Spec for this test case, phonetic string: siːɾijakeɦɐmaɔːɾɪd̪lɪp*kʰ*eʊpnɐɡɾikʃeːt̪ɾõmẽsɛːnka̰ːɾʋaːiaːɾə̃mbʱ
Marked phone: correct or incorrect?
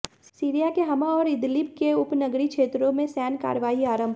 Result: incorrect: k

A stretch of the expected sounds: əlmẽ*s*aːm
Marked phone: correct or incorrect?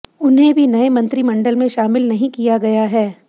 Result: incorrect: ʃ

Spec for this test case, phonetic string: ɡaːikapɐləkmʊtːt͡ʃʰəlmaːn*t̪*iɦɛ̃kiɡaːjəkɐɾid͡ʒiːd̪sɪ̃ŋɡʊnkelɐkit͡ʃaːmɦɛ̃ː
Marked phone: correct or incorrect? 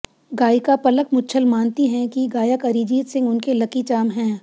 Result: correct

